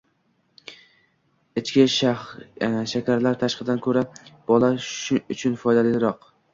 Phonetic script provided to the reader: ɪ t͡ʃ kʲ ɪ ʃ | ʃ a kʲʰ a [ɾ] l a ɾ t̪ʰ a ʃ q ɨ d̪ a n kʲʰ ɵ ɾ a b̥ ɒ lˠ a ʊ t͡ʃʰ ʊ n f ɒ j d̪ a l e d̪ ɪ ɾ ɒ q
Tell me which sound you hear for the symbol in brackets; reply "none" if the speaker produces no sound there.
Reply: ɾ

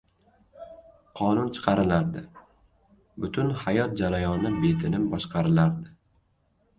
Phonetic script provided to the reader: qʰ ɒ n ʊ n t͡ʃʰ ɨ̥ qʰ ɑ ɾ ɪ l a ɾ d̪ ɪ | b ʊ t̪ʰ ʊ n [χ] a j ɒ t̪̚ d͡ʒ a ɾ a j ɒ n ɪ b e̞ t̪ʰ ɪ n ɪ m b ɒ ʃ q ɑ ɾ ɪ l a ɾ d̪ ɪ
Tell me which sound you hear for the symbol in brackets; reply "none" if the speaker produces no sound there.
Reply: h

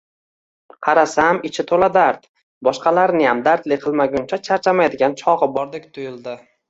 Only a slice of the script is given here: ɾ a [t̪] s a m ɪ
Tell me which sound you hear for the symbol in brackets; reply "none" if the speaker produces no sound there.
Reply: none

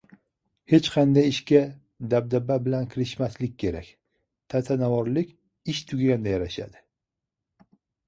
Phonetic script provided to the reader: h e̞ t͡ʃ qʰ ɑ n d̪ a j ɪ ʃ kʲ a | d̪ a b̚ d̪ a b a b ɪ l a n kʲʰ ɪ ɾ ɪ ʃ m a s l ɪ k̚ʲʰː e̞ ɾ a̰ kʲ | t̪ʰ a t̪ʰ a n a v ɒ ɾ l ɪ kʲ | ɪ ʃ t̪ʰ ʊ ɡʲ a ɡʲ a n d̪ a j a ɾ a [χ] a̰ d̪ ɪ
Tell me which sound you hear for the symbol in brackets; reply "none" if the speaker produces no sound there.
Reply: ʃ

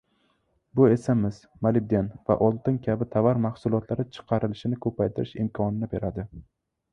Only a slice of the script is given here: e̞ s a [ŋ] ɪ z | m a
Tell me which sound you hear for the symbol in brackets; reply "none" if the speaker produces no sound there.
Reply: m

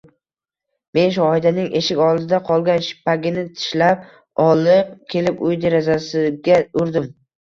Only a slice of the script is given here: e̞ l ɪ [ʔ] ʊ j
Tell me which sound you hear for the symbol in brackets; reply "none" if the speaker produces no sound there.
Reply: p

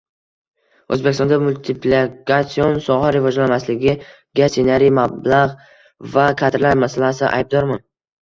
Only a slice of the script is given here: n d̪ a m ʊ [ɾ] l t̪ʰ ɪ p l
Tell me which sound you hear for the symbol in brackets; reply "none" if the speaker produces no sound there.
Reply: none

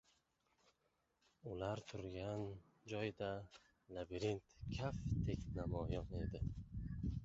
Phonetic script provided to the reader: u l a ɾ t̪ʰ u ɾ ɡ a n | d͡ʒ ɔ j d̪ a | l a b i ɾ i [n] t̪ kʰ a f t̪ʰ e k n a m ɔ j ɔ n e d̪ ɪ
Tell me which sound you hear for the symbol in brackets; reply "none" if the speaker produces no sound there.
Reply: n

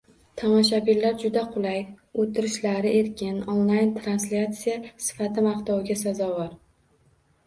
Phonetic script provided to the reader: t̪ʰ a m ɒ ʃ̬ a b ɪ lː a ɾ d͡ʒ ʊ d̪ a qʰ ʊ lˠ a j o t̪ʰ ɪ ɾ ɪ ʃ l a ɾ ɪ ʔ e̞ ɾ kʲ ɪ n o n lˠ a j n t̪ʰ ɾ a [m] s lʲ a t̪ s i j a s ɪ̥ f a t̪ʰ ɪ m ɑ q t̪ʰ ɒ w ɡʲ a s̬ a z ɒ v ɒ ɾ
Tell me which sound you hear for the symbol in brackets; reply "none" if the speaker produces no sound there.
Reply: n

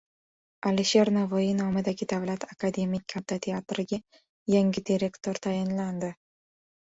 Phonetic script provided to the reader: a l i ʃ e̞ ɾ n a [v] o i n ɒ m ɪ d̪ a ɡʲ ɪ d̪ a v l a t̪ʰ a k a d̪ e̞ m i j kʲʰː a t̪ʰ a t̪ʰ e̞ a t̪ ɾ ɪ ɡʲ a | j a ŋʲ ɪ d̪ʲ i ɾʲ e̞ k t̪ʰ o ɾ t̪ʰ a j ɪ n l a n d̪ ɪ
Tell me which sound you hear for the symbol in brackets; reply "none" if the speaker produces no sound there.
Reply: v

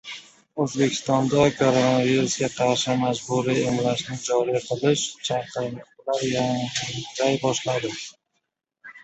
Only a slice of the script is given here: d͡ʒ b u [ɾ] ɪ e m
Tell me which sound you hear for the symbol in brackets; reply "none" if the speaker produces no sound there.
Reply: ɾ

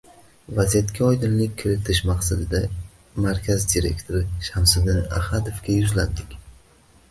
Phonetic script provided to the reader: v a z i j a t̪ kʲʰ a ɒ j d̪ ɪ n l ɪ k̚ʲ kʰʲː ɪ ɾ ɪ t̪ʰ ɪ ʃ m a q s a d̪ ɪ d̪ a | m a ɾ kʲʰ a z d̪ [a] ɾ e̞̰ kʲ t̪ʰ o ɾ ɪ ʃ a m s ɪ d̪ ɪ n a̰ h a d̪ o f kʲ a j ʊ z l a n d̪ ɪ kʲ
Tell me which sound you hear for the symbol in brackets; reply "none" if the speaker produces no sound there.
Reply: i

